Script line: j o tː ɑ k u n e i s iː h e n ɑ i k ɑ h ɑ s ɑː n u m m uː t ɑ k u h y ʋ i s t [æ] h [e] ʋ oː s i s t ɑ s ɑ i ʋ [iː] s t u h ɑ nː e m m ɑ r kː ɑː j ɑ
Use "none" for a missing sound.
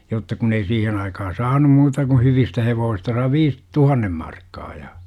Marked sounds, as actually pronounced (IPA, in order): æ, e, iː

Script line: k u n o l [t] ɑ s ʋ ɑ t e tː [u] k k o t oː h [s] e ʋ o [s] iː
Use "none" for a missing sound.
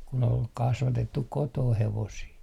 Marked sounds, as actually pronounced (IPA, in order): k, u, h, s

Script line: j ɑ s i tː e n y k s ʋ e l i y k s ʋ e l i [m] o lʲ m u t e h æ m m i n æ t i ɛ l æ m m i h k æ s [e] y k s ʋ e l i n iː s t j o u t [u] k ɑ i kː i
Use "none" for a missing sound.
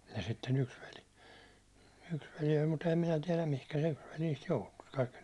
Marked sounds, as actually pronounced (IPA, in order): none, e, u

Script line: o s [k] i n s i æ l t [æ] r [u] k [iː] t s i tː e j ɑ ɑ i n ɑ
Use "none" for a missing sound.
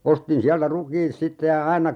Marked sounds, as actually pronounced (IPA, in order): t, æ, u, iː

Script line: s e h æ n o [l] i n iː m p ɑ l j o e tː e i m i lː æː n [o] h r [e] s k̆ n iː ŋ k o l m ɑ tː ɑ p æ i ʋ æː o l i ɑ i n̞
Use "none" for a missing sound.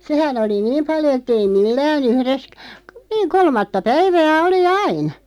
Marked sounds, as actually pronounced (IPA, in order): l, u, e

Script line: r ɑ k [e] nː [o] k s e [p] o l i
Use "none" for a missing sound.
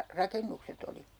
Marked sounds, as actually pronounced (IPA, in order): e, u, t

